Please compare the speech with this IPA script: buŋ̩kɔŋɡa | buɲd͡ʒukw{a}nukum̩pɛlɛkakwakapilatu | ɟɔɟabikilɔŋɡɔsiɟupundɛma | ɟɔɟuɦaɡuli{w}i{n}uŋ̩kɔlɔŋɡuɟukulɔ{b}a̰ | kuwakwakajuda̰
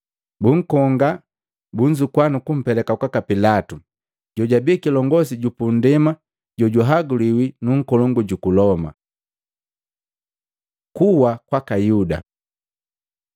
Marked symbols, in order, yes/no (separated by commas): yes, yes, yes, no